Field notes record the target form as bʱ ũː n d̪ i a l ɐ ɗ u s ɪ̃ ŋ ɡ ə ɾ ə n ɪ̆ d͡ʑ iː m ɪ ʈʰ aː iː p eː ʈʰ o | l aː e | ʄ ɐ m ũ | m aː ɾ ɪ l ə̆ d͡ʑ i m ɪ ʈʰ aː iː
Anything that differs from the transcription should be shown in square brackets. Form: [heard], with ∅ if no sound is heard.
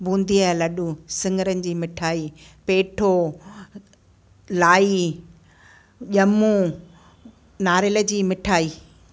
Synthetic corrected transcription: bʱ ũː n d̪ i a l ɐ ɗ u s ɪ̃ ŋ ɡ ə ɾ ə n ɪ̆ d͡ʑ iː m ɪ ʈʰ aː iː p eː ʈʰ o | l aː [i] | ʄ ɐ m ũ | [n] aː ɾ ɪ l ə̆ d͡ʑ [iː] m ɪ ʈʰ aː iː